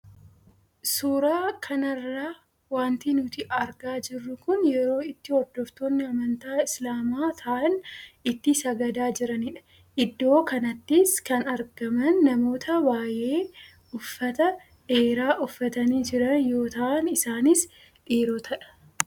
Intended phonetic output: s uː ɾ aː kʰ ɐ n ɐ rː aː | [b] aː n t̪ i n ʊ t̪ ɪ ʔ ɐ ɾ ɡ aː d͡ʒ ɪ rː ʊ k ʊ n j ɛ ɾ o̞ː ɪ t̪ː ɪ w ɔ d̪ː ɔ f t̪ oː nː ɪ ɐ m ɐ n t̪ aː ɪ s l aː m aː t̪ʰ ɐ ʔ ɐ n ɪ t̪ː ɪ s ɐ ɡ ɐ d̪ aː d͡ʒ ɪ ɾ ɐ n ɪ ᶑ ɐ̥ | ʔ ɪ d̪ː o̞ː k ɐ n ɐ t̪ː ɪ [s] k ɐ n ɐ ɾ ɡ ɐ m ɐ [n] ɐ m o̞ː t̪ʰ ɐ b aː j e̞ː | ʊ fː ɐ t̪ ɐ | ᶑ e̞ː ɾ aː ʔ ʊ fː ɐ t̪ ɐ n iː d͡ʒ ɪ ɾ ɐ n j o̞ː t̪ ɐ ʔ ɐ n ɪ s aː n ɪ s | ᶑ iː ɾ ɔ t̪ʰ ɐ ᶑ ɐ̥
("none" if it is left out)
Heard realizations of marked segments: w, s, nː

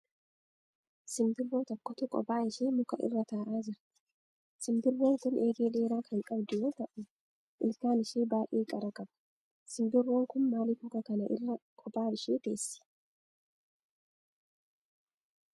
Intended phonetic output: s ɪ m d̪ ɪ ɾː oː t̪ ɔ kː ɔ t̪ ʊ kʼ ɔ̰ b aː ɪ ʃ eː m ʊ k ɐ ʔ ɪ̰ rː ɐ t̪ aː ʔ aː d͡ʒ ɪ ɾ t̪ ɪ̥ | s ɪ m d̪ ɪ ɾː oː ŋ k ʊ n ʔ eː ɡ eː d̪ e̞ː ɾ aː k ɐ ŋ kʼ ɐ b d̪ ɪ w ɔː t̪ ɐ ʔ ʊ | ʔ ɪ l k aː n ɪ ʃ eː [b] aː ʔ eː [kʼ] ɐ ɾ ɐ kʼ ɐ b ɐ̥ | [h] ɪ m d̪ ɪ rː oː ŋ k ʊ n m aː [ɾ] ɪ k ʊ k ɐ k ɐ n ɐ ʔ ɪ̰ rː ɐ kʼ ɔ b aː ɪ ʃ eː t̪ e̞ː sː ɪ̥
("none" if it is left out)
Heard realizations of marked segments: b, kʼ, s, l

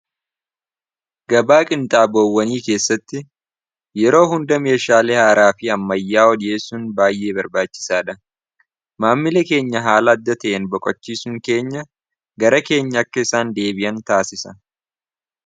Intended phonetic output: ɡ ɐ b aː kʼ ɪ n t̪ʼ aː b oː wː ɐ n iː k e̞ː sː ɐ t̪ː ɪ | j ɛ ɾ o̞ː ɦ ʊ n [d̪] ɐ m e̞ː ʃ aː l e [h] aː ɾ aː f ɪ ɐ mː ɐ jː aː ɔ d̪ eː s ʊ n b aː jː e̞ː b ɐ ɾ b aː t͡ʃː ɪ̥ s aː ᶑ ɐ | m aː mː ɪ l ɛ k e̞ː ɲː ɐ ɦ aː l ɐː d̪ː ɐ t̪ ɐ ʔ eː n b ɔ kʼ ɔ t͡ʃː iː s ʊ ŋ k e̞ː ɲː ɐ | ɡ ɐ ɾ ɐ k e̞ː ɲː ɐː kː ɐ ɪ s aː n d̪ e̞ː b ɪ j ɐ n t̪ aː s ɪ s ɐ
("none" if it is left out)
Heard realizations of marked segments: d̪, h

